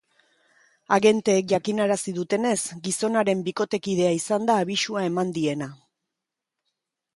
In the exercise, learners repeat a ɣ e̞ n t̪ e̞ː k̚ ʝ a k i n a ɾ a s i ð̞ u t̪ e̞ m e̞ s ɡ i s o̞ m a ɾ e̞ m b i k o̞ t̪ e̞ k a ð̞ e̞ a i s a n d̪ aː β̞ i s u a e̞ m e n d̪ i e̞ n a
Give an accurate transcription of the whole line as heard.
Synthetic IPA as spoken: a ɣ e̞ n t̪ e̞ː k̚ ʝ a k i n a ɾ a s i ð̞ u t̪ e̞ n e̞ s ɡ i s o̞ n a ɾ e̞ m b i k o̞ t̪ e̞ k i ð̞ e̞ a i s a n d̪ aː β̞ i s u a e̞ m a n d̪ i e̞ n a